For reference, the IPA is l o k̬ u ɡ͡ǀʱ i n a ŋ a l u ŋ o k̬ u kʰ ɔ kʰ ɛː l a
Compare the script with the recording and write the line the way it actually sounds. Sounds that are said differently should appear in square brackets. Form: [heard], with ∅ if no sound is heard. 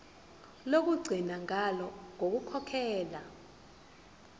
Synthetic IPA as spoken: l o k̬ u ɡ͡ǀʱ i n a ŋ a l [ɔ] ŋ o k̬ u kʰ ɔ kʰ ɛː l a